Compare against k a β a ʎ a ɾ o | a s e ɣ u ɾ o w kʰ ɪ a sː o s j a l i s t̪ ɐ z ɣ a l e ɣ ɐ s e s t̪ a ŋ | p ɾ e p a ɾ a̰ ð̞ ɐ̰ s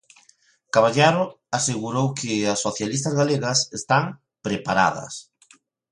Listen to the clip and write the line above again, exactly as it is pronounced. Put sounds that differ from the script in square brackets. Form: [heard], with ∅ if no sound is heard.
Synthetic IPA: k a β a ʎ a ɾ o | a s e ɣ u ɾ o w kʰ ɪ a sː o [θ] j a l i s t̪ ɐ z ɣ a l e ɣ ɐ s e s t̪ a ŋ | p ɾ e p a ɾ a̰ ð̞ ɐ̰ s